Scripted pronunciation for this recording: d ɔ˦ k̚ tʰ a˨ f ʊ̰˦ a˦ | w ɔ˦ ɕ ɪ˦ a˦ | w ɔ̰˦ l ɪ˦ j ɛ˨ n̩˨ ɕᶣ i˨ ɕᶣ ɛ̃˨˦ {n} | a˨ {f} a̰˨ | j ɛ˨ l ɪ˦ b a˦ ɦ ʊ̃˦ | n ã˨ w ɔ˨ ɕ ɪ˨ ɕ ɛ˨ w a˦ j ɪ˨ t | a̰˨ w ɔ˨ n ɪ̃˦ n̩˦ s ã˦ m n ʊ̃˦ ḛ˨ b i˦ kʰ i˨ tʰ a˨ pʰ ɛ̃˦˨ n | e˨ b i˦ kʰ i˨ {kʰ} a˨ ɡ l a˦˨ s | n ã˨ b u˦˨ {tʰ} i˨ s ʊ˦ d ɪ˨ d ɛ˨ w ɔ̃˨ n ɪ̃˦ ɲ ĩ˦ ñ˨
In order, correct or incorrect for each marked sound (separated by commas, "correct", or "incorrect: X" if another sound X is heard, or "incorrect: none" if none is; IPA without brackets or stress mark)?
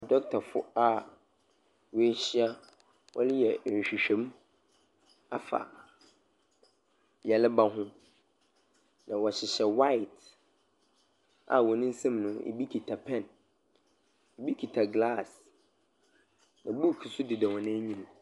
incorrect: m, correct, incorrect: tʰ, incorrect: kʰ